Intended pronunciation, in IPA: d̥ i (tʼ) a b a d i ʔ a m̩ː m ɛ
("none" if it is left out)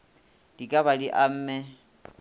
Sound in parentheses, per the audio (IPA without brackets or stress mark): kʼ